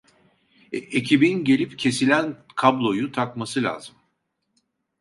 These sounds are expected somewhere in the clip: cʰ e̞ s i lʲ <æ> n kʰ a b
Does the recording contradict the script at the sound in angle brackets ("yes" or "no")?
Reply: no